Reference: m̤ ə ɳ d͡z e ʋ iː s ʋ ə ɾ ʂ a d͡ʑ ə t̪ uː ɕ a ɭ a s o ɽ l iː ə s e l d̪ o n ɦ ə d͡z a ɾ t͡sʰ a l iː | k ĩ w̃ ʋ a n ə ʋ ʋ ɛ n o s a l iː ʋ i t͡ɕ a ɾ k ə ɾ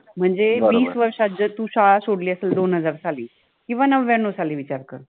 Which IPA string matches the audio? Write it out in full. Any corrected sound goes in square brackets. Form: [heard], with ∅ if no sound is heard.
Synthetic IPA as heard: m̤ ə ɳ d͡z e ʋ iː s ʋ ə ɾ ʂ a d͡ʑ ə t̪ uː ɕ a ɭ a s o ɽ l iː ə s e l d̪ o n ɦ ə d͡z a ɾ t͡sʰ a l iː | k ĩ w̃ ʋ a n ə ʋ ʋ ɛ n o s a l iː ʋ i t͡ɕ a ɾ k ə ɾ